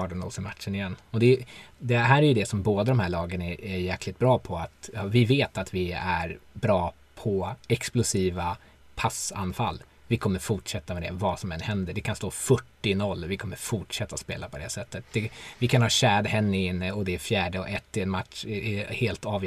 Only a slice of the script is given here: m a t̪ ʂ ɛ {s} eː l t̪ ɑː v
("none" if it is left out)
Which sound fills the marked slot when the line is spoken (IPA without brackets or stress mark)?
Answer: h